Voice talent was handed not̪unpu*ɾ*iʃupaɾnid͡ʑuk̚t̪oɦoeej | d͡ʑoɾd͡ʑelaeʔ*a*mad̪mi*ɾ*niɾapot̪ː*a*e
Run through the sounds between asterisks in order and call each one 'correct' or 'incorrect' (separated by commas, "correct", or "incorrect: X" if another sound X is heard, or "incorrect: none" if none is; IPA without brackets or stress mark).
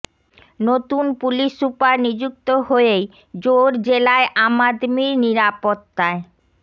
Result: incorrect: l, correct, correct, correct